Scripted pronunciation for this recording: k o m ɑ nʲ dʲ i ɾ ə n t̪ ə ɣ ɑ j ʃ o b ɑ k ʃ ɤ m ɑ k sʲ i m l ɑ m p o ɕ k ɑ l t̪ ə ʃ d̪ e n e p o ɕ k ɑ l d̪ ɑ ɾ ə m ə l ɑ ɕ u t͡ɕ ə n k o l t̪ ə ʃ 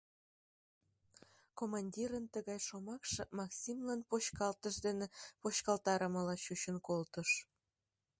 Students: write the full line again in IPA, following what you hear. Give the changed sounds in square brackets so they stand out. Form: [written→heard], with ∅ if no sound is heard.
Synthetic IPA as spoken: k o m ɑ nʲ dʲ i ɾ ə n t̪ ə ɣ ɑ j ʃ o [b→m] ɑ k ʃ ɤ m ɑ k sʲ i m l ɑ [m→n] p o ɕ k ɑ l t̪ ə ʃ d̪ e n e p o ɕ k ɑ l [d̪→t̪] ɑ ɾ ə m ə l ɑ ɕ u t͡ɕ ə n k o l t̪ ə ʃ